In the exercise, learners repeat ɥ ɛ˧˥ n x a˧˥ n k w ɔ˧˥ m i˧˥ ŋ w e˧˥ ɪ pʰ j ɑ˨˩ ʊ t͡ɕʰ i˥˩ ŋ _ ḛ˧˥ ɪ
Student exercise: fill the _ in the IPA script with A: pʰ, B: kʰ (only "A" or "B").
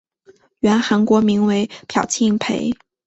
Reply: A